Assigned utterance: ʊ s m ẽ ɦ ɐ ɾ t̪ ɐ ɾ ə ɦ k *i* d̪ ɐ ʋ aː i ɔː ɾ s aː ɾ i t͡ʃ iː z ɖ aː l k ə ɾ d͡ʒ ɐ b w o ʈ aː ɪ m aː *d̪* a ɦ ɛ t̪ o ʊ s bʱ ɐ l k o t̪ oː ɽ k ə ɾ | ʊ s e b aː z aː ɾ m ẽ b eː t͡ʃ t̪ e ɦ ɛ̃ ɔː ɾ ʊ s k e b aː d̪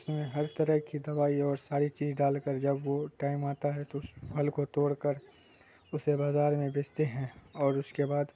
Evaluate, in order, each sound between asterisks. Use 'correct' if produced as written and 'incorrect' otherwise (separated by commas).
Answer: correct, incorrect